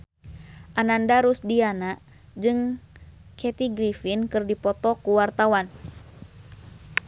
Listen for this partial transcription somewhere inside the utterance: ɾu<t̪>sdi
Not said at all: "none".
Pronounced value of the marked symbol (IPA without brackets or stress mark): none